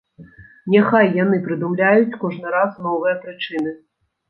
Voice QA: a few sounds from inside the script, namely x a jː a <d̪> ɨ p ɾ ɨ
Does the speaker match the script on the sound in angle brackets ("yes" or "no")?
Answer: no